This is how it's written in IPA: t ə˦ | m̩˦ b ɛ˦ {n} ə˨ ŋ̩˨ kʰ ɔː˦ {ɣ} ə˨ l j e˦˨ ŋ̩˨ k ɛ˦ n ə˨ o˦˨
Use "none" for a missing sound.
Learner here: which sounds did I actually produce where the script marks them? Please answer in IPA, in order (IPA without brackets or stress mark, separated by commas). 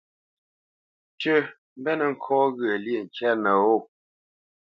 n, ɣ